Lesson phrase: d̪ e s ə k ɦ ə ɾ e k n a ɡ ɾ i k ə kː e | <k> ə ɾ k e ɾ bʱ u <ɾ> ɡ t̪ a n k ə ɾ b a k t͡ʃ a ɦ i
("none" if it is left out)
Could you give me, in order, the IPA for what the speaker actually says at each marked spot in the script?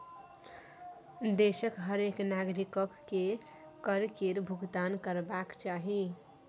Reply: k, none

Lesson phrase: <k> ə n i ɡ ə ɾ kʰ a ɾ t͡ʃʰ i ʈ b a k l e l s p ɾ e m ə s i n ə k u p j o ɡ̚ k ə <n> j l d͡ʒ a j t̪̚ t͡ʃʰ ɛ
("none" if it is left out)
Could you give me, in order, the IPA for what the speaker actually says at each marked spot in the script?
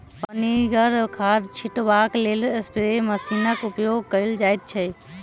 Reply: p, none

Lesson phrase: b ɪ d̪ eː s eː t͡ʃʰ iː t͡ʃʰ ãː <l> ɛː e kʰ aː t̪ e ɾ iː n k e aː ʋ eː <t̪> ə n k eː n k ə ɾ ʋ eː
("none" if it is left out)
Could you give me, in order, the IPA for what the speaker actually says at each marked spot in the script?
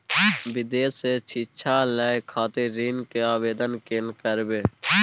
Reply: l, d̪

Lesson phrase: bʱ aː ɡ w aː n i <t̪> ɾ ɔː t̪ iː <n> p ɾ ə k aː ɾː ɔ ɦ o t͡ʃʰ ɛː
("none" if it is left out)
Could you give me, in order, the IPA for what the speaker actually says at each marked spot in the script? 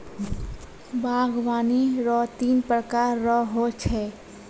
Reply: none, n

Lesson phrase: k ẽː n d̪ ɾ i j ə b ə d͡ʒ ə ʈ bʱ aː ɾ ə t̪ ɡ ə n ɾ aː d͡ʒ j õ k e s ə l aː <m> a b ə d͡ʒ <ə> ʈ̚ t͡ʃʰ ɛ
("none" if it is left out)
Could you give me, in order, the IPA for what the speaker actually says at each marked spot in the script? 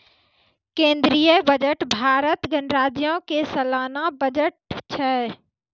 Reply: n, ə

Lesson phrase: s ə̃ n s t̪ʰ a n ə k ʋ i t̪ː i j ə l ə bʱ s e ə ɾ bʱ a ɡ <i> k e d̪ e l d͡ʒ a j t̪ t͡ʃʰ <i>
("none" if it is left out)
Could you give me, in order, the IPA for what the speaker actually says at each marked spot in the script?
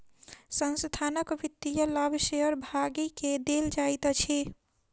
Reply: i, i

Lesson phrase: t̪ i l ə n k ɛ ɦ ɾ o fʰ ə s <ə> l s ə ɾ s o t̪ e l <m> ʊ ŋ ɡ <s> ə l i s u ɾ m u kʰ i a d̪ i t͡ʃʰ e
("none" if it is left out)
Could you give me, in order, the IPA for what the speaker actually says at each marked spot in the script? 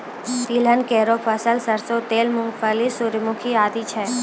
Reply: ə, m, f

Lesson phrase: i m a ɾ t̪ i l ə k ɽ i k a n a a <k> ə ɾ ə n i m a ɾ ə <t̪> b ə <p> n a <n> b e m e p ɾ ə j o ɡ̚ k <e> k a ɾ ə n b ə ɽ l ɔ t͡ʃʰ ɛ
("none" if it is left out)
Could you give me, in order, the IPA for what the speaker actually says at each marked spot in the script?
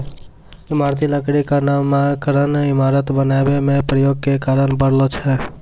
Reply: k, t̪, none, none, e

